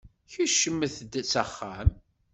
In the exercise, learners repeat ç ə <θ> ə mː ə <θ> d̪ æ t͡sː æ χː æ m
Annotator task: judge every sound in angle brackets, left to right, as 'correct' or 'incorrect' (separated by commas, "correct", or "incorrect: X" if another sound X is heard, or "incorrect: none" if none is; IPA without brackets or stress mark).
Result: incorrect: ʃ, correct